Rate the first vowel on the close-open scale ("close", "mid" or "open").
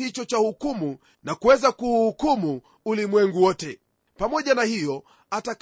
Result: close